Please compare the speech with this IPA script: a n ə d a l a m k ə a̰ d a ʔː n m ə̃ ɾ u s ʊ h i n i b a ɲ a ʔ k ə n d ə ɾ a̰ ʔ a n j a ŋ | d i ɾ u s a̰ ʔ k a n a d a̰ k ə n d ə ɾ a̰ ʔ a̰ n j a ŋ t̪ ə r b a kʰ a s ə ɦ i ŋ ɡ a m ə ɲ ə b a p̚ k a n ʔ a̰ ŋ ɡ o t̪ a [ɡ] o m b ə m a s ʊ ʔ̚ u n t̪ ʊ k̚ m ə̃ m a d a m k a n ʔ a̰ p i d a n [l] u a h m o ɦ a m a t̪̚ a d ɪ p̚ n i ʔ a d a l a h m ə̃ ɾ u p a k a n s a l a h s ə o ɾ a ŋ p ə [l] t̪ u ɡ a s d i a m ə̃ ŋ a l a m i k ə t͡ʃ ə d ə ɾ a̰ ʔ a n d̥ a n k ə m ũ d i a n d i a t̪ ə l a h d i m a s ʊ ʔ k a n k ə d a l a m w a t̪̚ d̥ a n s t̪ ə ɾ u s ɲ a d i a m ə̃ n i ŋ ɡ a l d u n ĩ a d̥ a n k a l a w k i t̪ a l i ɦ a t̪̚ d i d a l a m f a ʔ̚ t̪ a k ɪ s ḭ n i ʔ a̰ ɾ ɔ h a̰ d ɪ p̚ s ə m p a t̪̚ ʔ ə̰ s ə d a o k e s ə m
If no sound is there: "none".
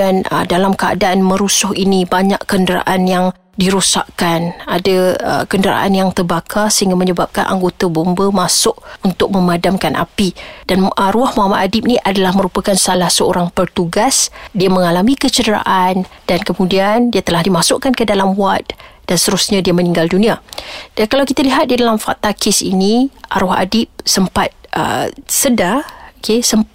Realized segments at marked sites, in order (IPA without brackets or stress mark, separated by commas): b, ɾ, r